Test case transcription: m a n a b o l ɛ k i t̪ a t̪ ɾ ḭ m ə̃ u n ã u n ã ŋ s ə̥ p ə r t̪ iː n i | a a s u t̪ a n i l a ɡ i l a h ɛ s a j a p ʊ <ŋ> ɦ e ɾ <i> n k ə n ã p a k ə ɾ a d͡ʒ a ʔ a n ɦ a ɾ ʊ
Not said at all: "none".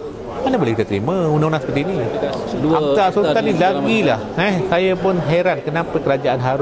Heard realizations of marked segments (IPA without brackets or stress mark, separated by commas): n, a